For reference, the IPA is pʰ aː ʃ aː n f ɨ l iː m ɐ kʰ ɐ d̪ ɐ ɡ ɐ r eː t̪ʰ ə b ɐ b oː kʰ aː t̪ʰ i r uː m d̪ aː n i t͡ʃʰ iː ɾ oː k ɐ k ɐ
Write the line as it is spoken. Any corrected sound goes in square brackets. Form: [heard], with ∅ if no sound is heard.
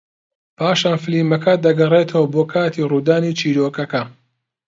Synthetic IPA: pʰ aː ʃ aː n f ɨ l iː m ɐ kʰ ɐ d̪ ɐ ɡ ɐ r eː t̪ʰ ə [w] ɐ b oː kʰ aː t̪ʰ i r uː [∅] d̪ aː n i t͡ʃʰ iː ɾ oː k ɐ k ɐ